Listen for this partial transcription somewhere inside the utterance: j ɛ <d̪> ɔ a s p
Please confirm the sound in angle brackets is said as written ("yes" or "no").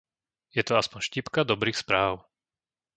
no